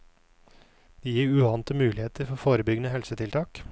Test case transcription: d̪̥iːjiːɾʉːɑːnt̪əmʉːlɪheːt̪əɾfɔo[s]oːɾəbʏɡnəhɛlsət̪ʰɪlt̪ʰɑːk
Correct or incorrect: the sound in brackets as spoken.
incorrect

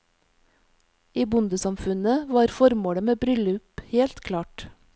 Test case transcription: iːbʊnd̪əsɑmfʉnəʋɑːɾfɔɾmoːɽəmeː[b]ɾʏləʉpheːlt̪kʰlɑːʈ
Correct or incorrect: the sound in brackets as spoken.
correct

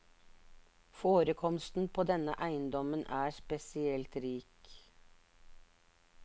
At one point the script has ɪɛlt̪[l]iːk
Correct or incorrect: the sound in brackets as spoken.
incorrect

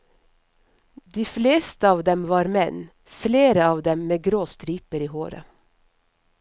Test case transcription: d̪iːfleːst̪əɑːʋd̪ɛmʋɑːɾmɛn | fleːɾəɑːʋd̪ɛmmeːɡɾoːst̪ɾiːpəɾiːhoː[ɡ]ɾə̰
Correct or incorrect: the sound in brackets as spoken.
incorrect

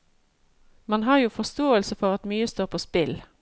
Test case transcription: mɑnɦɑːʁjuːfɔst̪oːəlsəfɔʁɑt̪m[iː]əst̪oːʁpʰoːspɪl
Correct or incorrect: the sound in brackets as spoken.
incorrect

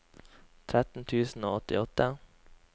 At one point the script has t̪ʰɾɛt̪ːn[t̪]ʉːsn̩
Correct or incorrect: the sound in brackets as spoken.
incorrect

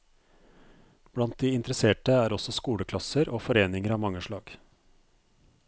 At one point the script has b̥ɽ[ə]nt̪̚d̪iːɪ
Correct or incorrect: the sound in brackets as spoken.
incorrect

